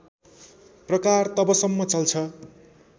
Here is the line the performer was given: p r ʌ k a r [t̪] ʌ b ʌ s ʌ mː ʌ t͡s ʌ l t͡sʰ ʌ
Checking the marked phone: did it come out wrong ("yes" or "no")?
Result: no